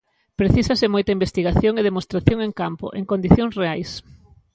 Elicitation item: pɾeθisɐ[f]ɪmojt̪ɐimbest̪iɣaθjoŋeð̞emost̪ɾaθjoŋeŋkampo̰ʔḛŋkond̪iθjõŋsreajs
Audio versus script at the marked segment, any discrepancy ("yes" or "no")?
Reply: yes